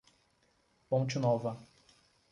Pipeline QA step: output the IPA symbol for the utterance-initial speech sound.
p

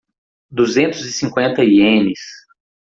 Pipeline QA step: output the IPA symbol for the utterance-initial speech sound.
d̪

